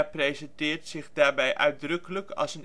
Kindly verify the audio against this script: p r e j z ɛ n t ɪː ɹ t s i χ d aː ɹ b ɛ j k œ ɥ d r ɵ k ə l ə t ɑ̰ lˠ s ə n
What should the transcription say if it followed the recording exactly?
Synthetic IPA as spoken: p r e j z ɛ n t ɪː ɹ t s ɪ χ d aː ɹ b ɛ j ʔ œ ɥ d r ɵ k ə l ə k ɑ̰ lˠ s ə n